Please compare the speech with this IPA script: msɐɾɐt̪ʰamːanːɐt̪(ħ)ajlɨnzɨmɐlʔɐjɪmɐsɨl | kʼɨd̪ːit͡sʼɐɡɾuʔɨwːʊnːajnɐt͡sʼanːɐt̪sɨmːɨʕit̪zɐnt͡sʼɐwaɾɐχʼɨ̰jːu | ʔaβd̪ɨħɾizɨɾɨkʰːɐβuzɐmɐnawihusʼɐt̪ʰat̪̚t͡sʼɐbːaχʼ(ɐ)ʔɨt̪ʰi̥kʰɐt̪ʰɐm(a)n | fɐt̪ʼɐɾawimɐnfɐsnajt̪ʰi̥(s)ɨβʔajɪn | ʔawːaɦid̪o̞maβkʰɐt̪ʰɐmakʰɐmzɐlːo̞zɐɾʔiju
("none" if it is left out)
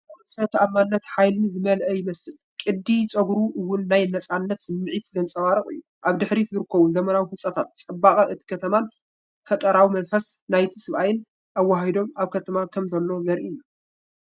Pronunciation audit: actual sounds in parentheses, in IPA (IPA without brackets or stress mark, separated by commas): ħ, ɐ, a, s